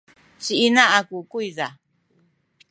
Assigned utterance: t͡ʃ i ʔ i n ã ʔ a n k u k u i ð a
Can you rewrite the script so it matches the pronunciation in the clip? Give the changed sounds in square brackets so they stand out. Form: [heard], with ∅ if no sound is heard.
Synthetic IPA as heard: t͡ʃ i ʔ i n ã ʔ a [∅] k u k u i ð a